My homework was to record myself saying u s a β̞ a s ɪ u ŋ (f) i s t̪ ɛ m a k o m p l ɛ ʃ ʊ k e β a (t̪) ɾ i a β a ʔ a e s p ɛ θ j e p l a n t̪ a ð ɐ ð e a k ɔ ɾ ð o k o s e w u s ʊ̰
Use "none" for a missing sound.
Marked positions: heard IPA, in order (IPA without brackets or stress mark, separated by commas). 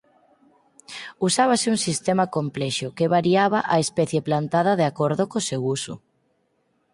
s, none